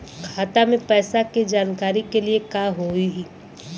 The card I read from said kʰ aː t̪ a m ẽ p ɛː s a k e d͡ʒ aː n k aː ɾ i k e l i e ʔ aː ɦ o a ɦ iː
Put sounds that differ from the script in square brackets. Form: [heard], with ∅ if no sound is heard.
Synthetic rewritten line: kʰ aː t̪ a m ẽ p ɛː s a k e d͡ʒ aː n k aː ɾ i k e l i e [k] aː ɦ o [i] ɦ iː